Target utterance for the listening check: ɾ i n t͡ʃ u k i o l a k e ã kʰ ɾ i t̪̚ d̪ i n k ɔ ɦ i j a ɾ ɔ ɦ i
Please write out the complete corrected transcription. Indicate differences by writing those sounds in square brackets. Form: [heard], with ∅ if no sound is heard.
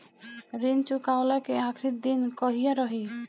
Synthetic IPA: ɾ i n t͡ʃ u k [a] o l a k e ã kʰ ɾ i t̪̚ d̪ i n k ɔ ɦ i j a ɾ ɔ ɦ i